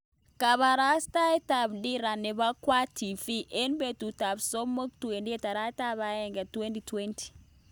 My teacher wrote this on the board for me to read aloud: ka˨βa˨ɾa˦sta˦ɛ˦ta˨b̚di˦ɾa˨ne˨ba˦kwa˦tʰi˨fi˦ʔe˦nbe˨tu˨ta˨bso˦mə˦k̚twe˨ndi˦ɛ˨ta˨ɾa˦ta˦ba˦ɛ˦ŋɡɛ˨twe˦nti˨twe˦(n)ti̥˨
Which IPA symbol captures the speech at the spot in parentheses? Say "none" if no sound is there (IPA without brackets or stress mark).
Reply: n